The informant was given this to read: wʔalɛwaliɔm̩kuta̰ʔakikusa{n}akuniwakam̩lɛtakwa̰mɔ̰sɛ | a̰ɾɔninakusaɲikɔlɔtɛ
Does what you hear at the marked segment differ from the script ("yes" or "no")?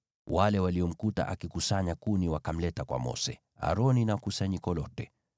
yes